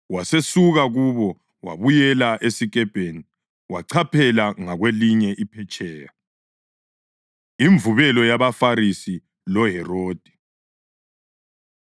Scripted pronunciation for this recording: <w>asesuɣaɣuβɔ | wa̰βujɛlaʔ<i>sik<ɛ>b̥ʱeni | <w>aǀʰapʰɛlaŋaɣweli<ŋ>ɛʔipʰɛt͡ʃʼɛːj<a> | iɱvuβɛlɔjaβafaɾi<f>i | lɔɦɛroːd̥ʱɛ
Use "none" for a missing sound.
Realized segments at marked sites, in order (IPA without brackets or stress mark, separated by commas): w, e, ɛ, w, ɲ, a, s